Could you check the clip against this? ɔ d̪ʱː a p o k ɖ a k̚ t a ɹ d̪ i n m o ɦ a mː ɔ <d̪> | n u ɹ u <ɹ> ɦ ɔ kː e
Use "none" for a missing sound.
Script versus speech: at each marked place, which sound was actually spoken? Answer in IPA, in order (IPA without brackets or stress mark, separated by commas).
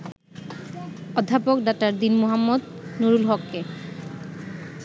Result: d̪, l